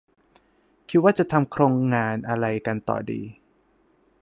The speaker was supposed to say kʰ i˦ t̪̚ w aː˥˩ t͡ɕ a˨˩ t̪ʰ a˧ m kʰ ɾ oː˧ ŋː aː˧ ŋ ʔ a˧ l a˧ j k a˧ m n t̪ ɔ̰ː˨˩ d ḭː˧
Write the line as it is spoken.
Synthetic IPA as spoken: kʰ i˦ t̪̚ w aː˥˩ t͡ɕ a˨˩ t̪ʰ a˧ m kʰ ɾ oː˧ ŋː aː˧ n ʔ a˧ ɾ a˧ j k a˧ n t̪ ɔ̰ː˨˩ d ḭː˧